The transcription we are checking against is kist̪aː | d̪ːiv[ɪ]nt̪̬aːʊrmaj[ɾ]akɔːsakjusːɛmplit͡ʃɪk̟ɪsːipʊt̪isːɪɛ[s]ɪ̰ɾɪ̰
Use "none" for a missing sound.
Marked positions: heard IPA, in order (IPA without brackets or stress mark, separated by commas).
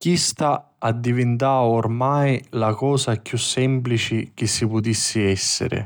ɪ, l, sː